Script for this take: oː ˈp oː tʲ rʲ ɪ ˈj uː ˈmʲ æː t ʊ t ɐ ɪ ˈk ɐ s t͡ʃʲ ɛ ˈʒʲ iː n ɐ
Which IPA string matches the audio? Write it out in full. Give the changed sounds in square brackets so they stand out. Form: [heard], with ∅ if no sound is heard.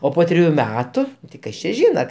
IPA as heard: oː ˈp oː tʲ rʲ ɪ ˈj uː ˈmʲ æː t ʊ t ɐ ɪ ˈk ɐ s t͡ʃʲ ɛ ˈʒʲ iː n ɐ